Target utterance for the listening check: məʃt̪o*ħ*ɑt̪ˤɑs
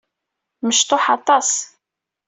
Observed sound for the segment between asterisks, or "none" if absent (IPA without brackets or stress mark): ħ